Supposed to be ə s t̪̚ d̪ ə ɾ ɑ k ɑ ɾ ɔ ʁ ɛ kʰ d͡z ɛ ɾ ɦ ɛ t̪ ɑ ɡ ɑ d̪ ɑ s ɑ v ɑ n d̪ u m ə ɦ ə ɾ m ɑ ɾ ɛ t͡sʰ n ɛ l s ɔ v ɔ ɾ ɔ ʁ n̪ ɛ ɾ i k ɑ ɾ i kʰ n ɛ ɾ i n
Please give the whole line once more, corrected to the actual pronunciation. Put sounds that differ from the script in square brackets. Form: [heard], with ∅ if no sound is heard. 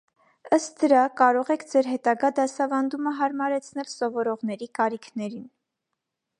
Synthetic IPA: ə s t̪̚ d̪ ə ɾ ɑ k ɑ ɾ ɔ ʁ ɛ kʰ d͡z ɛ ɾ ɦ ɛ t̪ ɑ ɡ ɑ d̪ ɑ s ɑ v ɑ n d̪ u m ə ɦ [ɑ] ɾ m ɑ ɾ ɛ t͡sʰ n ɛ l s ɔ v ɔ ɾ ɔ ʁ n̪ ɛ ɾ i k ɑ ɾ i kʰ n ɛ ɾ i n